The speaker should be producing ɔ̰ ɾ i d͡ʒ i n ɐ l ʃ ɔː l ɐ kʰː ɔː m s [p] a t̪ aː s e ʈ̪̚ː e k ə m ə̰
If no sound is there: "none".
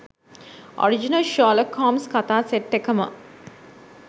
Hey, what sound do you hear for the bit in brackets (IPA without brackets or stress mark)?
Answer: k